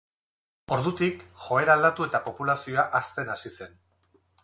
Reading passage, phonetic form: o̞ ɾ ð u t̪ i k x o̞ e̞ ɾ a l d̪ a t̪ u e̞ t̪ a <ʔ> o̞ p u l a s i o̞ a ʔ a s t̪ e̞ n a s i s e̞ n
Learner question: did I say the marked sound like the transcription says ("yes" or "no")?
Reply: no